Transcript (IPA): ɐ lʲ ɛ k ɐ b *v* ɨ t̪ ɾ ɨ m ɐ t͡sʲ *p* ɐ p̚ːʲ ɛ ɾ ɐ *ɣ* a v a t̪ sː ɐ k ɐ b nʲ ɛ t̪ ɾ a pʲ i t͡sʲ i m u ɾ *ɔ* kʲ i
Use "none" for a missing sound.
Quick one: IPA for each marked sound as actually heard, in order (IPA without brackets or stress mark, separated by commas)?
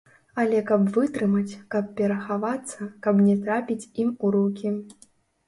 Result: v, k, x, u